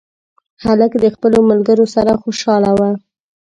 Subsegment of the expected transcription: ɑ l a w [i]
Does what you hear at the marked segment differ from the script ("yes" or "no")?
yes